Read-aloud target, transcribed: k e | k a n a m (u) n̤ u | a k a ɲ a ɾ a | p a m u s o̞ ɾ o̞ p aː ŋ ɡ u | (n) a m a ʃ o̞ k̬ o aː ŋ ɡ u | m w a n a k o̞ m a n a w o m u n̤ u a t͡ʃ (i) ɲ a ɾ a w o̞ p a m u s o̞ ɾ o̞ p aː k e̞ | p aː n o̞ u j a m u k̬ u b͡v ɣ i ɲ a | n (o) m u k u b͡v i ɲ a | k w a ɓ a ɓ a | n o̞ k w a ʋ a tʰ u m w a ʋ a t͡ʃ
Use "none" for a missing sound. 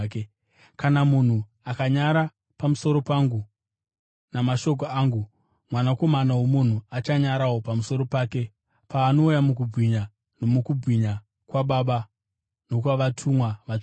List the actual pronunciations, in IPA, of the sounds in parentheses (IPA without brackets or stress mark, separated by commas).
u, n, a, o